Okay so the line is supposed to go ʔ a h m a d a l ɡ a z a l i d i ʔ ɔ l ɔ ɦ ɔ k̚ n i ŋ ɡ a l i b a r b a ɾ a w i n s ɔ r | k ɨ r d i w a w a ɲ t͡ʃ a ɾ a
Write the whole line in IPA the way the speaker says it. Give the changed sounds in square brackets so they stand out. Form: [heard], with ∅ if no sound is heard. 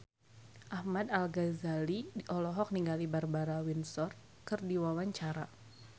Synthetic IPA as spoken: ʔ a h m a d a l ɡ a z a l i d i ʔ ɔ l ɔ ɦ ɔ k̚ n i ŋ ɡ a l i b a r b a ɾ a w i n s ɔ r | k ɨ r d i w a w a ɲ t͡ʃ a ɾ a